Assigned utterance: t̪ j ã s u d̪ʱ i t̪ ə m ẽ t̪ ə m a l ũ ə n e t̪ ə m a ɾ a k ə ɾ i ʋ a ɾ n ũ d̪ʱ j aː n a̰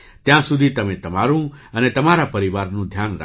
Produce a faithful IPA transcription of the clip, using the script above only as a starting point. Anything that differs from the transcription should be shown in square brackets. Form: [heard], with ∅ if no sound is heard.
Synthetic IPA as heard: t̪ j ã s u d̪ʱ i t̪ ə m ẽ t̪ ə m a [ɾ] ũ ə n e t̪ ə m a ɾ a [p] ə ɾ i ʋ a ɾ n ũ d̪ʱ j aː n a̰

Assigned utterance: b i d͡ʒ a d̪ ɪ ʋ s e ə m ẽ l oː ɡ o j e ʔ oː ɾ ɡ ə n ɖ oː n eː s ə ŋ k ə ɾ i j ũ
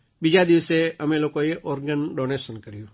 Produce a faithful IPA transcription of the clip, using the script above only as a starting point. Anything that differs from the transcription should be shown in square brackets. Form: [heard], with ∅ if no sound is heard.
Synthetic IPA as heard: b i d͡ʒ a d̪ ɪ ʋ s e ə m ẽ l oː [k] o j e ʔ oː ɾ ɡ ə n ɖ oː n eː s ə [n] k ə ɾ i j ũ

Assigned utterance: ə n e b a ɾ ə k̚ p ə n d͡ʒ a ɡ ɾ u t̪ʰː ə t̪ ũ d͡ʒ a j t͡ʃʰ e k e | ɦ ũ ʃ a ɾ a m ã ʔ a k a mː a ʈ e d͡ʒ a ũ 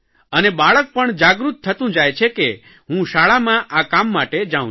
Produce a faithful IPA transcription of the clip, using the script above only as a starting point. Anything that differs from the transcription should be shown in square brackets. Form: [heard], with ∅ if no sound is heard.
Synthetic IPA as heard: ə n e b a [ɭ] ə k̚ p ə [ɳ] d͡ʒ a ɡ ɾ u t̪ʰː ə t̪ ũ d͡ʒ a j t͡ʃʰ e k e | ɦ ũ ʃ a [ɭ] a m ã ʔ a k a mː a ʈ e d͡ʒ a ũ

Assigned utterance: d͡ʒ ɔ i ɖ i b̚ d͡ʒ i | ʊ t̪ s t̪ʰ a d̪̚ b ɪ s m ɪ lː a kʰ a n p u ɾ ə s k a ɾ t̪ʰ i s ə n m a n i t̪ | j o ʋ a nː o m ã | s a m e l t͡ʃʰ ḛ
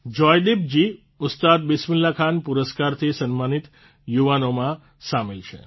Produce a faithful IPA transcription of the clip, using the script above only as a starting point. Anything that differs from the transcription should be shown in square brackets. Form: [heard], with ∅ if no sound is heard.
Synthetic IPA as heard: d͡ʒ ɔ [j] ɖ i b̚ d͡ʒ i | ʊ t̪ s [t̪] a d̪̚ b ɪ s m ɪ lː a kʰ a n p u ɾ ə s k a ɾ t̪ʰ i s ə n m a n i t̪ | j [u] ʋ a [n] o m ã | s a m e l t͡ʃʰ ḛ

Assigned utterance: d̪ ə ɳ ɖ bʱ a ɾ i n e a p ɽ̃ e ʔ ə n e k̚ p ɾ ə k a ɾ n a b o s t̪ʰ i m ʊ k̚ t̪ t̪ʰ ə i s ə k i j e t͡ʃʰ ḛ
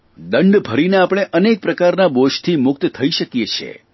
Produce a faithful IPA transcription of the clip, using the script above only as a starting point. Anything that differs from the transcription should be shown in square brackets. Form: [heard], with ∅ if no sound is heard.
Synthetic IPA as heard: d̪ ə ɳ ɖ bʱ [ə] ɾ i n e a p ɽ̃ e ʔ ə n e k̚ p ɾ ə k a ɾ n a b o [ʃ] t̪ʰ i m ʊ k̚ t̪ t̪ʰ ə i [ʃ] ə k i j e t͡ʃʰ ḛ

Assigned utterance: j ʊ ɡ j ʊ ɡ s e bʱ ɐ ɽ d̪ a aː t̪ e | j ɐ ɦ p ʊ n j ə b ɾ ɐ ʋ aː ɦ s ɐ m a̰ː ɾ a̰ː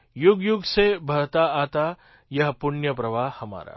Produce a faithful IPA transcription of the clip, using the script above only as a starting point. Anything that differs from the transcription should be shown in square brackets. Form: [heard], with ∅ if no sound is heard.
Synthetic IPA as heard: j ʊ ɡ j ʊ ɡ s e bʱ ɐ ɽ [t̪] a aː t̪ [a] | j ɐ ɦ p ʊ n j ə [p] ɾ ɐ ʋ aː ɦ [h] ɐ m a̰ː ɾ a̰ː

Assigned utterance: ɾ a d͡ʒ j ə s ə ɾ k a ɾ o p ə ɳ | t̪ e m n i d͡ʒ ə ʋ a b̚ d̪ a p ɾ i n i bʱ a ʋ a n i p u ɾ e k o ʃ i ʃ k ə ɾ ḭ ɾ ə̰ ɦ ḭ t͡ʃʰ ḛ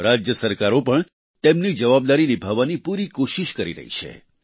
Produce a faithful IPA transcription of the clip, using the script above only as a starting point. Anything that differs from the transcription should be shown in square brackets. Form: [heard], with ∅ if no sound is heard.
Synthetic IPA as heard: ɾ a d͡ʒ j ə s ə ɾ k a ɾ o p ə ɳ | t̪ e m n i d͡ʒ ə ʋ a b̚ d̪ a [∅] ɾ i n i bʱ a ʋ a n i p u ɾ [i] k o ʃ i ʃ k ə ɾ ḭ ɾ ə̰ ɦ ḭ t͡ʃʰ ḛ

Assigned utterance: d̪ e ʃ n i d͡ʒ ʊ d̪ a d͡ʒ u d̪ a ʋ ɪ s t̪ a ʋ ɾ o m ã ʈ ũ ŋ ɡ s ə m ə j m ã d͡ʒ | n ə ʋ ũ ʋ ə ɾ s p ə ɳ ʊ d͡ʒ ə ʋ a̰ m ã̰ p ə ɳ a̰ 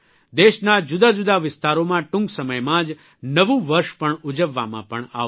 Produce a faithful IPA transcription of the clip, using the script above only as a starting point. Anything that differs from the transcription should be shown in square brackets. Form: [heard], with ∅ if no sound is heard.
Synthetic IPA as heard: d̪ e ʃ n [a] d͡ʒ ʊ d̪ a d͡ʒ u d̪ a ʋ ɪ s t̪ a [∅] ɾ o m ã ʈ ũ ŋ ɡ s ə m ə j m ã d͡ʒ | n ə ʋ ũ ʋ ə ɾ [ʃ] p ə ɳ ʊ d͡ʒ ə [ʋː] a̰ m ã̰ p ə ɳ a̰

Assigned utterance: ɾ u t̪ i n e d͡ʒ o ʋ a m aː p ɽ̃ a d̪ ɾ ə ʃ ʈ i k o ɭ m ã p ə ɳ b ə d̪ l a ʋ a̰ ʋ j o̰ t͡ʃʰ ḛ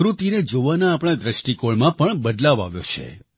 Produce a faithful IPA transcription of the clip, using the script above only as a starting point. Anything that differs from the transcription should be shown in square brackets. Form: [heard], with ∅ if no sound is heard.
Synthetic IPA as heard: ɾ u t̪ i n e d͡ʒ o ʋ a [n] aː p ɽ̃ a d̪ ɾ ə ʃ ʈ i k o ɭ m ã p ə ɳ b ə d̪ l a ʋ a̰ ʋ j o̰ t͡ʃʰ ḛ

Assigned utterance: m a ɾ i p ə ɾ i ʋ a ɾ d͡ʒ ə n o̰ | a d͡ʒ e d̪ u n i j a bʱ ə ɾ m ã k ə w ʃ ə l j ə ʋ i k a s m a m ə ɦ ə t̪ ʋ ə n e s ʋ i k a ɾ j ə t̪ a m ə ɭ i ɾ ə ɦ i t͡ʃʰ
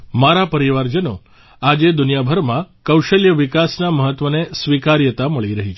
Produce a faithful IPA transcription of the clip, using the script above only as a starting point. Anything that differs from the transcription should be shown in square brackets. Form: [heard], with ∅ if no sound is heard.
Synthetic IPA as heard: m a ɾ [a] p ə ɾ i ʋ a ɾ d͡ʒ ə n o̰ | a d͡ʒ e d̪ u n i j a bʱ ə ɾ m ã k ə w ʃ ə l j ə ʋ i k a s [n] a m ə ɦ ə t̪ ʋ ə n e s ʋ i k a ɾ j ə t̪ a m ə ɭ i ɾ ə ɦ i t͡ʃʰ

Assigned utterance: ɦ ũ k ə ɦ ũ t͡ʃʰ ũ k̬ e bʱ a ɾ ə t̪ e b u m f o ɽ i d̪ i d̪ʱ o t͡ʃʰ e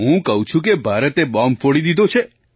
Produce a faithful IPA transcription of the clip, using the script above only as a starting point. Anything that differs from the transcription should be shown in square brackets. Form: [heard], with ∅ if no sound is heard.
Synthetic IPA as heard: ɦ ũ k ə ɦ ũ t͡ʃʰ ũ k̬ e bʱ a ɾ ə t̪ e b [ɔ] m f o ɽ i d̪ i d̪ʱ o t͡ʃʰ e

